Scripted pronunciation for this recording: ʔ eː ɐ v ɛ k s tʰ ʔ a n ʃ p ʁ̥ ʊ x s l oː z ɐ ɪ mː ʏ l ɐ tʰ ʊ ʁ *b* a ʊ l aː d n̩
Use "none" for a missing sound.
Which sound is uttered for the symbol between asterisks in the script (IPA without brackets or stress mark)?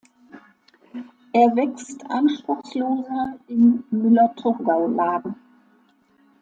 ɡ